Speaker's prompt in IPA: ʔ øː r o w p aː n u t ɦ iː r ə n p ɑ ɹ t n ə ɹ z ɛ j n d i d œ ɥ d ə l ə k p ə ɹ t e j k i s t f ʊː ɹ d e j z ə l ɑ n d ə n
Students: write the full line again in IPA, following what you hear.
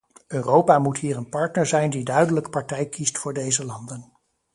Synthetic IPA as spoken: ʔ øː r o w p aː m u t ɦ iː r ə n p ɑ ɹ t n ə ɹ z ɛ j n d i d œ ɥ d ə l ə k p ɑ ɹ t ɛ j k i s t f ʊː ɹ d e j z ə l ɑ n d ə n